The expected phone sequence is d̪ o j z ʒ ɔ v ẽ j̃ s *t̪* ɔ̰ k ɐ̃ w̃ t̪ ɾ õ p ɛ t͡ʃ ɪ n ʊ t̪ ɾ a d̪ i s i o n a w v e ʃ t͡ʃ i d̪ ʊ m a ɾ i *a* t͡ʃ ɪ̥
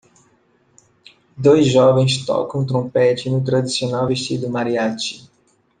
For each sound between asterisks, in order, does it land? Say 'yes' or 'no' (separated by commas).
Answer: yes, yes